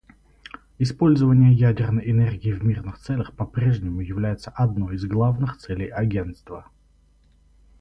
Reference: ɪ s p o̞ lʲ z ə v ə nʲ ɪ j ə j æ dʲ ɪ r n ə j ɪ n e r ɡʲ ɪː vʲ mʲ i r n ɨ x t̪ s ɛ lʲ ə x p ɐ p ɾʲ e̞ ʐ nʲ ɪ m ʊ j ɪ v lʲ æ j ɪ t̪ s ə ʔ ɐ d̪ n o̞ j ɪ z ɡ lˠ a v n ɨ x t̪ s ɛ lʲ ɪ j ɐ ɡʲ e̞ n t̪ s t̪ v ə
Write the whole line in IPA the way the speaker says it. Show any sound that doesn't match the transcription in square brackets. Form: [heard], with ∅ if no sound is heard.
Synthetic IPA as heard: ɪ s p o̞ lʲ z ə v ə nʲ ɪ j ə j æ dʲ ɪ r n ə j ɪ n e r ɡʲ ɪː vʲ mʲ i r n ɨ x t̪ s ɛ lʲ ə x p ɐ p ɾʲ e̞ ʐ nʲ ɪ m ʊ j ɪ v lʲ æ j ɪ t̪ s ə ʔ ɐ d̪ n o̞ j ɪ z ɡ lˠ a v n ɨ x t̪ s ɛ lʲ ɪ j ɐ ɡʲ e̞ n t̪ s t̪ v ə